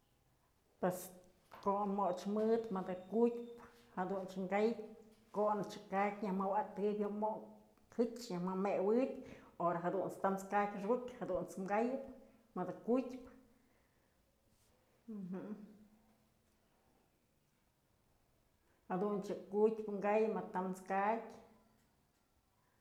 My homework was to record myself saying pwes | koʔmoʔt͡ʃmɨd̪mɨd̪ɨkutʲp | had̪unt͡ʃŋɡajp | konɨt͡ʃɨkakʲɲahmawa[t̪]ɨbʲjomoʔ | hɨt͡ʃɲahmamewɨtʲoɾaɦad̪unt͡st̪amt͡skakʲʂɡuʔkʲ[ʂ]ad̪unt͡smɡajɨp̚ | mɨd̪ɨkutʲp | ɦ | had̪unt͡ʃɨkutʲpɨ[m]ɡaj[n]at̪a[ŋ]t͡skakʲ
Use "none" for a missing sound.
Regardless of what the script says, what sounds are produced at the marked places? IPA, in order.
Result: t̪, h, ŋ, m, m

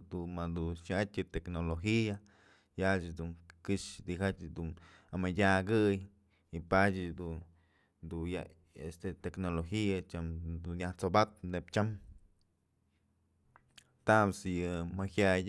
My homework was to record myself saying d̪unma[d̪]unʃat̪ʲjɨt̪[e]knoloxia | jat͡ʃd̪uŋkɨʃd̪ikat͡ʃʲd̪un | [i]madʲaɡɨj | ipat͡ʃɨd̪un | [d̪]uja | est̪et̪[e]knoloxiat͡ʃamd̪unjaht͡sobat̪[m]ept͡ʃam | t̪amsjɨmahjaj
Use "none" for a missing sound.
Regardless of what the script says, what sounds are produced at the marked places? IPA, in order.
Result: d̪, e, a, d̪, e, n

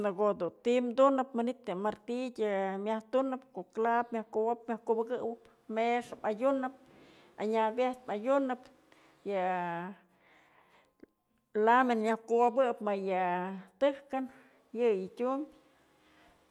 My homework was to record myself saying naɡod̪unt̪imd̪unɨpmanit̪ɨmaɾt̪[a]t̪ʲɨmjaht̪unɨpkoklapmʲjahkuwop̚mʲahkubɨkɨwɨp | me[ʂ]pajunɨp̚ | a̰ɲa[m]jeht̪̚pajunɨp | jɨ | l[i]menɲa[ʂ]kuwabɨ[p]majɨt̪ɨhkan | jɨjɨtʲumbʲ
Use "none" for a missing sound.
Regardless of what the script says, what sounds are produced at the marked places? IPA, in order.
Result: i, ʂ, b, a, h, p

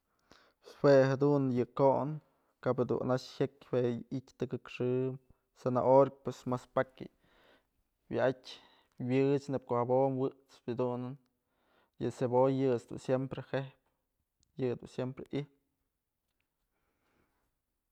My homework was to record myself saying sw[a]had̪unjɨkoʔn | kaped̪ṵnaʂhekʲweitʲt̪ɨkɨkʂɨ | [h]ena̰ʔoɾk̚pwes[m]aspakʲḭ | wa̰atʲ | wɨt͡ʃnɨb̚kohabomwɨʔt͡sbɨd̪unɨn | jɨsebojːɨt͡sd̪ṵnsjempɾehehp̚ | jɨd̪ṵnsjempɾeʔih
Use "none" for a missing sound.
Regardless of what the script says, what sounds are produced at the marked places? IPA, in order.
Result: e, s, m

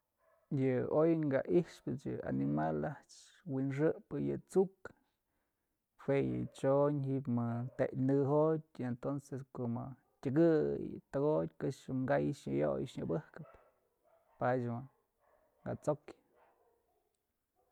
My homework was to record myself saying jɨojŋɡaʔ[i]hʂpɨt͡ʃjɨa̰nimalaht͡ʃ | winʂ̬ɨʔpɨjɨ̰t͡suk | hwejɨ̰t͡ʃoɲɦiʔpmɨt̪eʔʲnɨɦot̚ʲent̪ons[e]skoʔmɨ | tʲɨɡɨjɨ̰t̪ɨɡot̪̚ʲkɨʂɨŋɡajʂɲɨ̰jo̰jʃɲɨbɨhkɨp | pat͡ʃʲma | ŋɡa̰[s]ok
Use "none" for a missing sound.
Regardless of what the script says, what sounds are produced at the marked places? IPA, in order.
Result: i, e, t͡s

